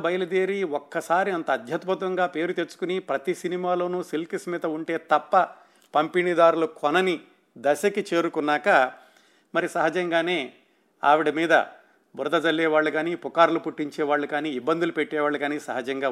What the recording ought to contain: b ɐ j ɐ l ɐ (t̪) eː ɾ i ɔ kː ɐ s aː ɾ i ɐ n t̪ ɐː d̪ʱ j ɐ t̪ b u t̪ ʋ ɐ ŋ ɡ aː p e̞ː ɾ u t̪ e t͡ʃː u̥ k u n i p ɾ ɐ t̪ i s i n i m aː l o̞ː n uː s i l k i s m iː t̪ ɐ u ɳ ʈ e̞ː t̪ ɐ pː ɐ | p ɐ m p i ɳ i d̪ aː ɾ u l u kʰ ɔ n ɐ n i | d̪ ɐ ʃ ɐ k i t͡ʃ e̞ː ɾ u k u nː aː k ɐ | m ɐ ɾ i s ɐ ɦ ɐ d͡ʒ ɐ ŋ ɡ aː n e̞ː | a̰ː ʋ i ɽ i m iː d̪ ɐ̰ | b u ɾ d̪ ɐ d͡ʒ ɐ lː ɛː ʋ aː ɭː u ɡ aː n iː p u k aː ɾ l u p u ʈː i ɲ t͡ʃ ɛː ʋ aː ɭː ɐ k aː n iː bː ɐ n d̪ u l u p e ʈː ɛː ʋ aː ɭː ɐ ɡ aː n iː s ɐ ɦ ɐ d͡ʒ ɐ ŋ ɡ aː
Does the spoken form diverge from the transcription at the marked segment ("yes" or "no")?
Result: yes